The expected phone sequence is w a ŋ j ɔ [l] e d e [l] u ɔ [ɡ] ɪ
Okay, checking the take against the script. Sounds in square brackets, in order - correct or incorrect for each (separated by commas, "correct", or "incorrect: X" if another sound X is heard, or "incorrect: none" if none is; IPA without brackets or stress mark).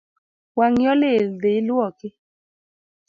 correct, correct, incorrect: k